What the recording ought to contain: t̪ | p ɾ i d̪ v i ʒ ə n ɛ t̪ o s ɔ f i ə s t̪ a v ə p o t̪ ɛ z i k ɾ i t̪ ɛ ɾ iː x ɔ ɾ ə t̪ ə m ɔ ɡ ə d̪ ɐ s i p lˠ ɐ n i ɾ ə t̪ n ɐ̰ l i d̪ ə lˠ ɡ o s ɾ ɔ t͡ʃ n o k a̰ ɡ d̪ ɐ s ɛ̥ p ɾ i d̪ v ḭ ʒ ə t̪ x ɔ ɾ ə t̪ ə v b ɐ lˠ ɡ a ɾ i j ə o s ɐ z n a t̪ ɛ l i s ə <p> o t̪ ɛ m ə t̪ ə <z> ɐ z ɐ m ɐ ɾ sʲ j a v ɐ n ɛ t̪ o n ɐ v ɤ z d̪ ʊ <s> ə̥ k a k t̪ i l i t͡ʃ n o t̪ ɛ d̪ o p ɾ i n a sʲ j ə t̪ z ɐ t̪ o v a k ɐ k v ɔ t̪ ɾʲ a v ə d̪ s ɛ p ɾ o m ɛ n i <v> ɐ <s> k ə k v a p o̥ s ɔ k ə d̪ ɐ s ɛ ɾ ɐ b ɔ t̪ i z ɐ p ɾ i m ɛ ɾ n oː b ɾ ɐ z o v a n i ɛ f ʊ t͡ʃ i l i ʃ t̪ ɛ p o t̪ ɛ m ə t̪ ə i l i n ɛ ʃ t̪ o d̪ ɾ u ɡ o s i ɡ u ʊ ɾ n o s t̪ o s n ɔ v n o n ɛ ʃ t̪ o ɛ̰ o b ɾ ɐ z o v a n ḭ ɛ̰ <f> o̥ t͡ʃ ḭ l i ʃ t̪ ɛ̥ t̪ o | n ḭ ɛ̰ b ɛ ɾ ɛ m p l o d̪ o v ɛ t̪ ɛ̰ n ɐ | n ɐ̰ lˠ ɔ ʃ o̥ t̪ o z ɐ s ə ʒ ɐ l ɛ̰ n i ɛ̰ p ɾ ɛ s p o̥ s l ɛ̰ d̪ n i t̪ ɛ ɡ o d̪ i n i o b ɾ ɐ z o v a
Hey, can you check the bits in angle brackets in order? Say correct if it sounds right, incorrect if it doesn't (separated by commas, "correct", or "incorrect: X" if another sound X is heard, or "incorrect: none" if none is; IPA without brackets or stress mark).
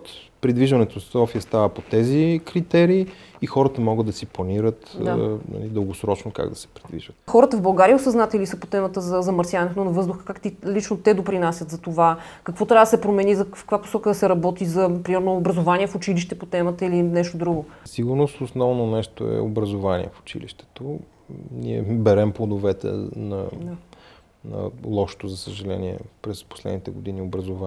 correct, correct, incorrect: x, incorrect: z, incorrect: f, correct